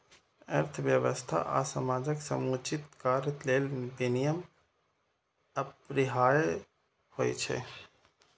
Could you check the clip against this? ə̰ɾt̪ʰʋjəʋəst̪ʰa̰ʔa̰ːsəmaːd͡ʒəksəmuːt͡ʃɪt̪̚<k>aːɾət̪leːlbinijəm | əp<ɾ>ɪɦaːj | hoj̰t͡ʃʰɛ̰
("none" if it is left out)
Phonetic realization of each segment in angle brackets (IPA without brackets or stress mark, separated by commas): k, ɾ